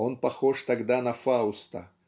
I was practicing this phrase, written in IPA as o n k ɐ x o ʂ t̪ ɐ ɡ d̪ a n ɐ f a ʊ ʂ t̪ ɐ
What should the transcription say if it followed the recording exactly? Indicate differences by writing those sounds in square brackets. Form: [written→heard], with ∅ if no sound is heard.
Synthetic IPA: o n [k→p] ɐ x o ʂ t̪ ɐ ɡ d̪ a n ɐ f a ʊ [ʂ→s] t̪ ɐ